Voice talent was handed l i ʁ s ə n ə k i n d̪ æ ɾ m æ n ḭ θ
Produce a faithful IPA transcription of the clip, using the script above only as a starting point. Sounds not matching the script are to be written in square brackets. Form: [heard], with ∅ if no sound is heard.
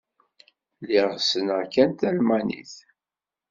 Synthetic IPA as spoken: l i ʁ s ə n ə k [æ] n [t̪] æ [l] m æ n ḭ θ

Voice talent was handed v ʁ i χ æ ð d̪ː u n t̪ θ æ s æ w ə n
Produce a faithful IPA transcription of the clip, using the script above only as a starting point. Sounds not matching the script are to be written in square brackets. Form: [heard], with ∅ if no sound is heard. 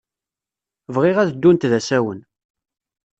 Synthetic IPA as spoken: v ʁ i [ʁ] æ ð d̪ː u n t̪ [ð] æ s æ w ə n

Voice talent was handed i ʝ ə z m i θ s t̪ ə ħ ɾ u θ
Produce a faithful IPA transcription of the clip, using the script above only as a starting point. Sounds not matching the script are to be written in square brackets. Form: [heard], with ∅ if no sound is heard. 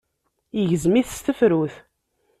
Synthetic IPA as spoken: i ʝ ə z m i θ s t̪ ə [f] ɾ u θ

